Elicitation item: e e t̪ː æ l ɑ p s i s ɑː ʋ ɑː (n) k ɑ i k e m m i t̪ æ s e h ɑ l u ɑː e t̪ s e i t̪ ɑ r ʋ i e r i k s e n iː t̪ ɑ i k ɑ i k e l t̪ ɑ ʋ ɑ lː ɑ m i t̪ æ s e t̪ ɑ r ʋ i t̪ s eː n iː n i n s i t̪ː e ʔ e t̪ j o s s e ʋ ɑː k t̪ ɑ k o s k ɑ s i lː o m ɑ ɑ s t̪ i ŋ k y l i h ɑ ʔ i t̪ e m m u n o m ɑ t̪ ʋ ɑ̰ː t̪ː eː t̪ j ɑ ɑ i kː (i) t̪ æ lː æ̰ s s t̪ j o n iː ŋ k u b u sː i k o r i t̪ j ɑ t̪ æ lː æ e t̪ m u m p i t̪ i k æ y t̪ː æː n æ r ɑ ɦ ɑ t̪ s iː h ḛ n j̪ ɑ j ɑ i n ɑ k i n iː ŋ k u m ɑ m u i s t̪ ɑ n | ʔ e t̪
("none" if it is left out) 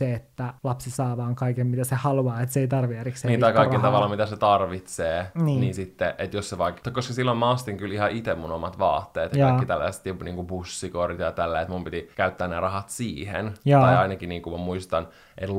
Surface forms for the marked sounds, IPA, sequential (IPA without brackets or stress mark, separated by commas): ŋ, i